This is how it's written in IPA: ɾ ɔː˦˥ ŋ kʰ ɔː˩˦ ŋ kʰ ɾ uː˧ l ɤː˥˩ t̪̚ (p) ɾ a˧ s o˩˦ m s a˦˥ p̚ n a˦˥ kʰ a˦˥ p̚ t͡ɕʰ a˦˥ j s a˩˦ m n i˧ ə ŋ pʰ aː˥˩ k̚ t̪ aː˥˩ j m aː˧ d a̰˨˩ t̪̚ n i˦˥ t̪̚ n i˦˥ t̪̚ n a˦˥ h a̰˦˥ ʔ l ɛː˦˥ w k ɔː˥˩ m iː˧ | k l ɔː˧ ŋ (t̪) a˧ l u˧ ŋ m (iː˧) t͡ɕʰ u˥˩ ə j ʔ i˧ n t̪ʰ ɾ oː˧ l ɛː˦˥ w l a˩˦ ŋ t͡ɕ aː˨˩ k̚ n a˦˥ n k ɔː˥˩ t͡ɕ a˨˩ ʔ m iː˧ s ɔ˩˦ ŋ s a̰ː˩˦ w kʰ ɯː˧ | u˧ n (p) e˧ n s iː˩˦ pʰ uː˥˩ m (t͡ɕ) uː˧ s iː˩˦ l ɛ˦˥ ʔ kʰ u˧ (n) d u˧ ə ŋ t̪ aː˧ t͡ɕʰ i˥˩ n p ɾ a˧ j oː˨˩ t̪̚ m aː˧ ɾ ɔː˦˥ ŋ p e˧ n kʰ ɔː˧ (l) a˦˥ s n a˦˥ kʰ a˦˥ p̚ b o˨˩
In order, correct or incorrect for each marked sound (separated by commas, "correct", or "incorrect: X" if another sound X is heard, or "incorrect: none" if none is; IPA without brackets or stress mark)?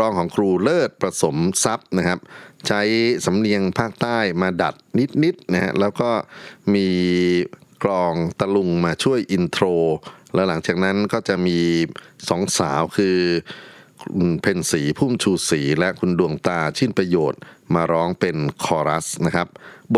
correct, correct, incorrect: aː˧, incorrect: pʰ, incorrect: t͡ɕʰ, correct, incorrect: ɾ